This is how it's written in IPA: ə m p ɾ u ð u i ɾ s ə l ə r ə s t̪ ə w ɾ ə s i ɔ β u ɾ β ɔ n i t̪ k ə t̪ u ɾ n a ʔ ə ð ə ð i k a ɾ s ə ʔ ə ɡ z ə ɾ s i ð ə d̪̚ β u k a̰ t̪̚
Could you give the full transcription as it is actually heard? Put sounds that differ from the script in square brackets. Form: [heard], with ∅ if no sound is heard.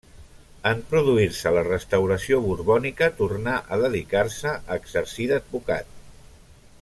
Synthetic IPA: ə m p ɾ u ð u i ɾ s ə l ə r ə s t̪ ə w ɾ ə s i [o] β u ɾ β ɔ n i [∅] k ə t̪ u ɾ n a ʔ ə ð ə ð i k a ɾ s ə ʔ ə ɡ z ə ɾ s i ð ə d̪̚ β u k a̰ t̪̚